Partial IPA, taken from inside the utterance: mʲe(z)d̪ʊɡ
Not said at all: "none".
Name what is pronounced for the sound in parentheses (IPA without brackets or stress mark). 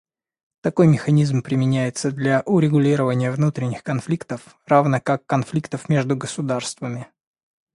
ʐ